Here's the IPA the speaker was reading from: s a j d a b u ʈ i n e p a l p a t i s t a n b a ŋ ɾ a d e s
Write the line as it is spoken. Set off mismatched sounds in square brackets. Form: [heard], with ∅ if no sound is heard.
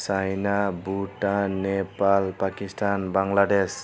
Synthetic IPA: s a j [n] a b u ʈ [a] n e p a l p a [k] i s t a n b a ŋ [l] a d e s